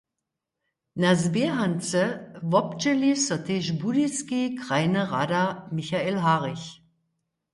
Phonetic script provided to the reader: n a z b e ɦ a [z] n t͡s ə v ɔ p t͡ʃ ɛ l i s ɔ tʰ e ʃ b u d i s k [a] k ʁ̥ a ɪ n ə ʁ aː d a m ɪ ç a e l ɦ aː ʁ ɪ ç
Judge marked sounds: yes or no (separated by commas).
no, no